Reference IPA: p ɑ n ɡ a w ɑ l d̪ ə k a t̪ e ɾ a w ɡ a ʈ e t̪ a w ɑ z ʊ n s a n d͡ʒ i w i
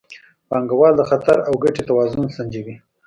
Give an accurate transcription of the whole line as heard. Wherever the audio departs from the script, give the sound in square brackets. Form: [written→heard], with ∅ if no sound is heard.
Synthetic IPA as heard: p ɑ [n→ŋ] ɡ a w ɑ l d̪ ə [k→x] a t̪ [e→a] ɾ a w ɡ a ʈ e t̪ a w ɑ z ʊ n s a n d͡ʒ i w i